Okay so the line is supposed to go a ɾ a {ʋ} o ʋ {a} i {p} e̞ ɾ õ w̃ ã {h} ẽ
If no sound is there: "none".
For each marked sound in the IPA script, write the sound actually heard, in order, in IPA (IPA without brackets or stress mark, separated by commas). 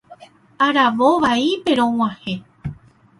ʋ, a, p, h